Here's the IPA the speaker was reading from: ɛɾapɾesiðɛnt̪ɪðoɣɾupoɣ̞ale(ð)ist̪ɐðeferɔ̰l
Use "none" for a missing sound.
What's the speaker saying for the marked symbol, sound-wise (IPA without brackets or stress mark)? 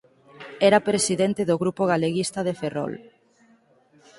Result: ɣ